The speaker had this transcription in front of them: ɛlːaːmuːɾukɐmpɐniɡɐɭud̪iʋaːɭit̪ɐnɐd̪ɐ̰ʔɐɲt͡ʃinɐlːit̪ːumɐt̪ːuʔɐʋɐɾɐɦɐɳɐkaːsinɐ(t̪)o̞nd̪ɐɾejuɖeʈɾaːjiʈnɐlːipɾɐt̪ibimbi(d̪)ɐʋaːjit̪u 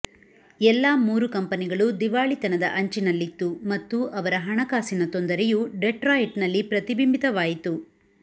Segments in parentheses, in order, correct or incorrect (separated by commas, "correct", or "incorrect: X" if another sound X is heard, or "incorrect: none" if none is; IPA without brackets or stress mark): correct, incorrect: t̪